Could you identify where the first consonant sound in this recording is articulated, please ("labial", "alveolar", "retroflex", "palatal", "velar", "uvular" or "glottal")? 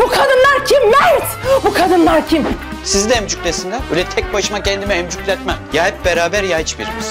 labial